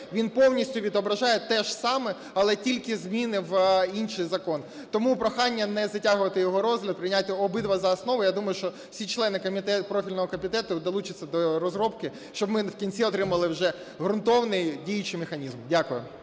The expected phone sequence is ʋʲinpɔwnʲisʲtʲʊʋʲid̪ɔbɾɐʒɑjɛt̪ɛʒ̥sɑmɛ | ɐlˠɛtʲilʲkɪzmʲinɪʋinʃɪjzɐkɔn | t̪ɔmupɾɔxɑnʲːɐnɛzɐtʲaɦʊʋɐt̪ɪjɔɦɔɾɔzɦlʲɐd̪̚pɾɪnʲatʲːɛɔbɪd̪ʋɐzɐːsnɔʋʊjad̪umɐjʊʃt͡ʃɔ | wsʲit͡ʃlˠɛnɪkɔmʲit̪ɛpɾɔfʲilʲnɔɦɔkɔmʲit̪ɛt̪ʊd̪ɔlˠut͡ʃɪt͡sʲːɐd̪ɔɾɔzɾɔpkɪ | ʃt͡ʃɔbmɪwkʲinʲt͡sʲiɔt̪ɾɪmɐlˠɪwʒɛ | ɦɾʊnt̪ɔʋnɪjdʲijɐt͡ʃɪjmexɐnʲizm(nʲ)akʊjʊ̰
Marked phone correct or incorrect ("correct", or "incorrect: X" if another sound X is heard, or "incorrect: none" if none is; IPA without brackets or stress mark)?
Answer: incorrect: dʲ